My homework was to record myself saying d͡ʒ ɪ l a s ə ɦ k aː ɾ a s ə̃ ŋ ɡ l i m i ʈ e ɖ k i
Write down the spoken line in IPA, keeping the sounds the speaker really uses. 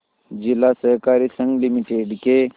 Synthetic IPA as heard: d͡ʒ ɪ l a s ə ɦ k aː ɾ i s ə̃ ŋ ɡ l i m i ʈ e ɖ k e